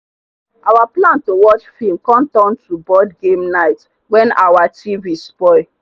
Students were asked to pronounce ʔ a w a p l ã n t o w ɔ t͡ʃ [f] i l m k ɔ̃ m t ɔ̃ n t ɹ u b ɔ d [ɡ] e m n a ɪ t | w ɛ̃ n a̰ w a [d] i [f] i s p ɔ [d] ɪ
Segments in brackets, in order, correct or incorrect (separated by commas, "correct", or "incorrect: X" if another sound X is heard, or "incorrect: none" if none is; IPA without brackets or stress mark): correct, correct, incorrect: t, incorrect: v, incorrect: none